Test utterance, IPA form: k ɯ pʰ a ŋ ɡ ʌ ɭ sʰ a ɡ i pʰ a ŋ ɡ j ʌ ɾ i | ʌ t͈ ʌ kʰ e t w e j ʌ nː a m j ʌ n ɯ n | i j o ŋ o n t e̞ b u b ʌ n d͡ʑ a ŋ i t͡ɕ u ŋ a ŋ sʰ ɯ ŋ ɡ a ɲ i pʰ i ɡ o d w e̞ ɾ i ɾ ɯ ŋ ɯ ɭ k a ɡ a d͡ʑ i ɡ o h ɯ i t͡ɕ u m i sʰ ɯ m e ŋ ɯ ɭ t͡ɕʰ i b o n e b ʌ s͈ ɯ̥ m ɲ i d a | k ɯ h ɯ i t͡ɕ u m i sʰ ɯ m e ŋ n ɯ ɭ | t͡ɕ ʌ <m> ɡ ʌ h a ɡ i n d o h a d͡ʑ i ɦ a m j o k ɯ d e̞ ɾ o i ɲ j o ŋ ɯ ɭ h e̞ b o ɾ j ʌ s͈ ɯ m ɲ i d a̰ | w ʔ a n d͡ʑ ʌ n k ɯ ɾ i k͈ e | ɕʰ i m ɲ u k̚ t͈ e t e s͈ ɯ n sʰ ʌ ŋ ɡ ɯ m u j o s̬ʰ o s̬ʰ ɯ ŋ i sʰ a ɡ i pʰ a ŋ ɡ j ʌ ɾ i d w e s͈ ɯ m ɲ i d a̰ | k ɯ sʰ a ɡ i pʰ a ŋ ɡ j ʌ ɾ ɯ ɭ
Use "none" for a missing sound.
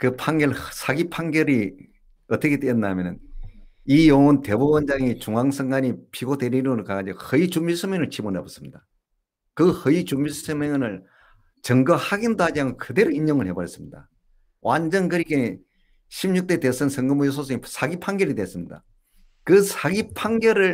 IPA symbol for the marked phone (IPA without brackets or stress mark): ŋ